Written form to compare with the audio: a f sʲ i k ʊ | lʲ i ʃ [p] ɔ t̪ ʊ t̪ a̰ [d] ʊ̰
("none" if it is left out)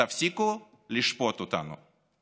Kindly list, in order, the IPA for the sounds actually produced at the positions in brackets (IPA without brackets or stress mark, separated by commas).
p, n